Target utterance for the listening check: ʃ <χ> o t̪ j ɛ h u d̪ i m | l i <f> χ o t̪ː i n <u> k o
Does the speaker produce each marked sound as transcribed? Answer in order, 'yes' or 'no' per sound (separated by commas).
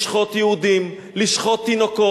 yes, no, no